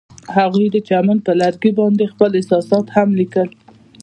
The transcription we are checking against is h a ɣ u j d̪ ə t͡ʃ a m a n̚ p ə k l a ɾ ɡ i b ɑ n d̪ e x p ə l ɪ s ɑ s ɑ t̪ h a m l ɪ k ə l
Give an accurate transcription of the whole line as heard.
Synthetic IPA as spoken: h a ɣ u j d̪ ə t͡ʃ a m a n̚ p ə l a ɾ ɡ i b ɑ n d̪ e x p ə l ɪ s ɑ s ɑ t̪ h a m l i k ə l